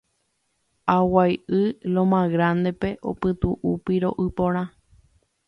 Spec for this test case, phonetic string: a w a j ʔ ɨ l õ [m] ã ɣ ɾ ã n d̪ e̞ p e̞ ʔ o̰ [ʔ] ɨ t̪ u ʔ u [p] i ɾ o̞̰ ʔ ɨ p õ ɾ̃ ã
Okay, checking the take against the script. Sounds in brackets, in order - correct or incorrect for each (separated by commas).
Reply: correct, incorrect, correct